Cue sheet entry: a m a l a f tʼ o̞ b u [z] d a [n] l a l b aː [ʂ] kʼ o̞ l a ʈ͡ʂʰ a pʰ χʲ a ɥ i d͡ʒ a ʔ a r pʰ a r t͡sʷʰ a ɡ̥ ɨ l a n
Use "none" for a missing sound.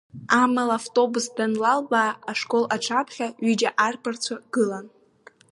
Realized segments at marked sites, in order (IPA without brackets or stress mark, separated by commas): s, n, ʂ